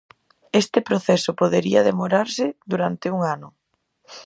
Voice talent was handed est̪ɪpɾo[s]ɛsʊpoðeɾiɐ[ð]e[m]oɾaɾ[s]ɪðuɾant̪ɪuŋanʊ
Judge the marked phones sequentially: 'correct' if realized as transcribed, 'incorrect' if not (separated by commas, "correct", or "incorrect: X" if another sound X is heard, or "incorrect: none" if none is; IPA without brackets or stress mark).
incorrect: θ, correct, correct, correct